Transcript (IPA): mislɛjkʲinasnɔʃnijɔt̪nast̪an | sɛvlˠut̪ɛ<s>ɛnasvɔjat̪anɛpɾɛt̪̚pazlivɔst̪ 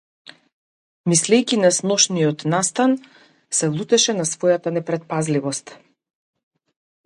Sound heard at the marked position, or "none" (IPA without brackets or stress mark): ʃ